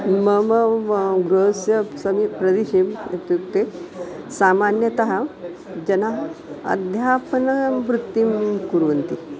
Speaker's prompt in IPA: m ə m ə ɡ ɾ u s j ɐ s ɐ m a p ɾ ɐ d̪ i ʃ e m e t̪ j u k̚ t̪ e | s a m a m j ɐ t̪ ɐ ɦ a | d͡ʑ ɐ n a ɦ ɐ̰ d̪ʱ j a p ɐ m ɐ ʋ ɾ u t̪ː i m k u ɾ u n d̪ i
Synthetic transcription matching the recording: m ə m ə ɡ ɾ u s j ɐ s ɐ m i p ɾ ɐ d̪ i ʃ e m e t̪ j u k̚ t̪ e | s a m a n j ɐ t̪ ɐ ɦ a | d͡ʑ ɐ n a ɦ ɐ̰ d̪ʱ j a p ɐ n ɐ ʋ ɾ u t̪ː i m k u ɾ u n t̪ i